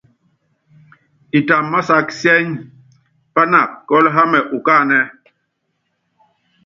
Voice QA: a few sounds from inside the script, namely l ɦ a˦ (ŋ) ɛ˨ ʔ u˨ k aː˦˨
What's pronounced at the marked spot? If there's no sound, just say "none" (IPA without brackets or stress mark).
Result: m